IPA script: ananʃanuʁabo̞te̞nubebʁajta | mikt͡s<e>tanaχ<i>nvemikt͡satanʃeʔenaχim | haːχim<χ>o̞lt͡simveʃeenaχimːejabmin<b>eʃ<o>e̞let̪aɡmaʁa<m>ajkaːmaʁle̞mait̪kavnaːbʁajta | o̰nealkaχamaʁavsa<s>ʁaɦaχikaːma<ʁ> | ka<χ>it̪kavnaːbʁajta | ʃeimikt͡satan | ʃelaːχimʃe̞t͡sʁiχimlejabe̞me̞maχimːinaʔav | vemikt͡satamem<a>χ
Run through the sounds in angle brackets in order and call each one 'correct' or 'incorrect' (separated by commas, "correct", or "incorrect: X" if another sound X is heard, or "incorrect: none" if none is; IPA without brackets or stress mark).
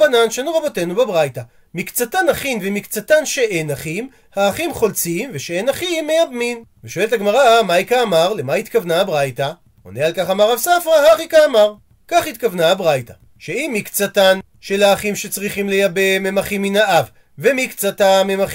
incorrect: a, correct, correct, incorrect: v, correct, correct, incorrect: f, correct, correct, correct